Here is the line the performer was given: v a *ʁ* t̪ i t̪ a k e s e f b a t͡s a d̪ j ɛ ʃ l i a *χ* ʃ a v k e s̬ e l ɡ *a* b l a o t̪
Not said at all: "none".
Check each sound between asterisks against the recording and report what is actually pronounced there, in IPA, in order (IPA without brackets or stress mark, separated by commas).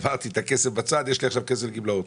ʁ, χ, i